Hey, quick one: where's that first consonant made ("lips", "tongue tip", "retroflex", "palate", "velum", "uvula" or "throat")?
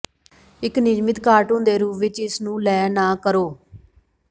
velum